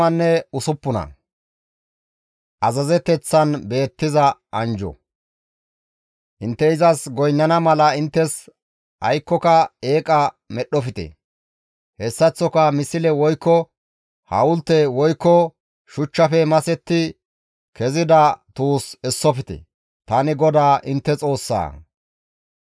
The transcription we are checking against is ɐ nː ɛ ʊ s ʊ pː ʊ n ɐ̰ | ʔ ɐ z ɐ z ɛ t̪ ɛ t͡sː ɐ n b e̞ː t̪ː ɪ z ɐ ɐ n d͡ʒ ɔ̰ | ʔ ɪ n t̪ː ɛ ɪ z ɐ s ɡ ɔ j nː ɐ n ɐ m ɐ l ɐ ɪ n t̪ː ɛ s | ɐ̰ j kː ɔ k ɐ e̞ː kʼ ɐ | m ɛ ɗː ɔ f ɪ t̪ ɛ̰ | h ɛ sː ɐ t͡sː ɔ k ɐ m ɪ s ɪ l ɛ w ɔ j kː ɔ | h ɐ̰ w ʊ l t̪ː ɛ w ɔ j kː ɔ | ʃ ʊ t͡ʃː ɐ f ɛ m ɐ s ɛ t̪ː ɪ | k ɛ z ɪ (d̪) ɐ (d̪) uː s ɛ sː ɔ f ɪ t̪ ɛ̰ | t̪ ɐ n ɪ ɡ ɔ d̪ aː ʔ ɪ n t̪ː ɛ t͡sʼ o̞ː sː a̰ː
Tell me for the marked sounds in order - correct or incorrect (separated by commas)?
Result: correct, incorrect